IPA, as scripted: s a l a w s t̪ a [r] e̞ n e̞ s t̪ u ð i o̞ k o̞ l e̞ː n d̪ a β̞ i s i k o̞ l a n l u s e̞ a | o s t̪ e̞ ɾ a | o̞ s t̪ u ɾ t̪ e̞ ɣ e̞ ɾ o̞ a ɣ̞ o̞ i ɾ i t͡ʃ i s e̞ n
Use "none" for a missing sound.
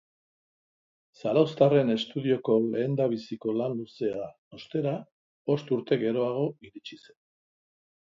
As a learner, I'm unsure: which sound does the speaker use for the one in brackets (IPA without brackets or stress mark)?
r